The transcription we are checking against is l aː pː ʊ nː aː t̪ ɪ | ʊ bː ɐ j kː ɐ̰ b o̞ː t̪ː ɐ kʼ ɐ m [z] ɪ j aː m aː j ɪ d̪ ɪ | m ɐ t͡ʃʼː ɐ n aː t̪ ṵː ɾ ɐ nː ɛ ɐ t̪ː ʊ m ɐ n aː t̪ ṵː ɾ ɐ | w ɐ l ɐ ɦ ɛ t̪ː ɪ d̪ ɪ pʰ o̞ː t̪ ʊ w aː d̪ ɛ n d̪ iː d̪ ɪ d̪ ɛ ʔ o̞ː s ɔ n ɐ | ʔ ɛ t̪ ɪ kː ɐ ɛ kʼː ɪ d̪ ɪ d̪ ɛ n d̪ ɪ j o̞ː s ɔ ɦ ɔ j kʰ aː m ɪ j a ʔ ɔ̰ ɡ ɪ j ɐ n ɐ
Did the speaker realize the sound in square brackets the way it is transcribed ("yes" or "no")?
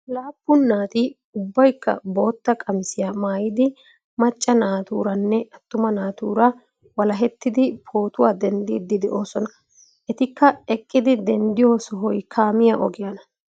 no